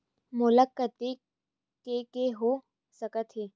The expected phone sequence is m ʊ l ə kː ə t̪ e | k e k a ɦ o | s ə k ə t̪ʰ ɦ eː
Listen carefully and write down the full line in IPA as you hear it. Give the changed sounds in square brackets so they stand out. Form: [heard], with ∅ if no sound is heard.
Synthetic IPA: m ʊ l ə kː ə t̪ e | k e k [e] ɦ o | s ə k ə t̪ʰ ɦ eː